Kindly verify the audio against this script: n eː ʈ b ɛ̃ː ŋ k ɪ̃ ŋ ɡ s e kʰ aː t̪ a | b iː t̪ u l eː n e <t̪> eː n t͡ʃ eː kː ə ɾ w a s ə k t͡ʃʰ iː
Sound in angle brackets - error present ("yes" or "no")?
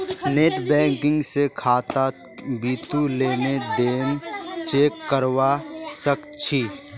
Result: yes